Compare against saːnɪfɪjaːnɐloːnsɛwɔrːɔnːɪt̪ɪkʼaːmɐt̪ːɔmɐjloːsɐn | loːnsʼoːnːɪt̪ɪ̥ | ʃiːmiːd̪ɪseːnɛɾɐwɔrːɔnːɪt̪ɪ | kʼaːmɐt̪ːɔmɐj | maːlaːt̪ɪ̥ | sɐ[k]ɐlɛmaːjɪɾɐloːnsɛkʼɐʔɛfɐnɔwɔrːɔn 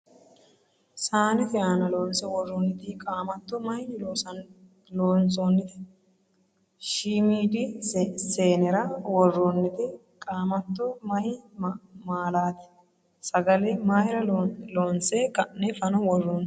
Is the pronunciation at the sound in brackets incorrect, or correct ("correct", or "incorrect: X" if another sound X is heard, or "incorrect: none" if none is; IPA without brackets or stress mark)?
incorrect: ɡ